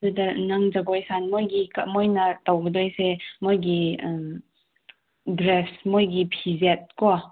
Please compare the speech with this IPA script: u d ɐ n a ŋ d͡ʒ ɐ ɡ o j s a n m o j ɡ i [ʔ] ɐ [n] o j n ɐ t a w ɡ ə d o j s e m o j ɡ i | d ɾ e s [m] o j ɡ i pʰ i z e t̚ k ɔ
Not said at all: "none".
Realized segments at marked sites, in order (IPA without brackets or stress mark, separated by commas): k, m, m